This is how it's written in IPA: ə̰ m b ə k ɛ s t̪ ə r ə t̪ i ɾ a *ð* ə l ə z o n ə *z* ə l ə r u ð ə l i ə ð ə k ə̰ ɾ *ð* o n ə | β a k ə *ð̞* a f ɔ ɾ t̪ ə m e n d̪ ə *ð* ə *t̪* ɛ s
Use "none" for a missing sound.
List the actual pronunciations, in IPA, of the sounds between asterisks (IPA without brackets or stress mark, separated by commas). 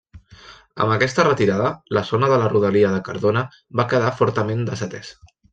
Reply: ð, ð, ð, ð̞, z, t̪